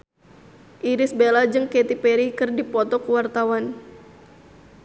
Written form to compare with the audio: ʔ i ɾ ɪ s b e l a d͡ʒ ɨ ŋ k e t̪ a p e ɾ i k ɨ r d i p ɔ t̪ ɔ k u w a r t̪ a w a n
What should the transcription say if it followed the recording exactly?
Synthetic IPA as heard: ʔ i ɾ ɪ s b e l a d͡ʒ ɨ ŋ k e t̪ i p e ɾ i k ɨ r d i p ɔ t̪ ɔ k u w a r t̪ a w a n